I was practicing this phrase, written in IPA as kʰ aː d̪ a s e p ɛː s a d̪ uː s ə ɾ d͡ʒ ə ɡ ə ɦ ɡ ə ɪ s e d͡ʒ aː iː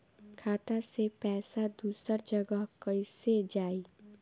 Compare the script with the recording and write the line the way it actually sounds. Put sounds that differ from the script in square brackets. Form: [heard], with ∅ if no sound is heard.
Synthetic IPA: kʰ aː [t̪] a s e p ɛː s a d̪ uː s ə ɾ d͡ʒ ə ɡ ə ɦ [k] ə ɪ s e d͡ʒ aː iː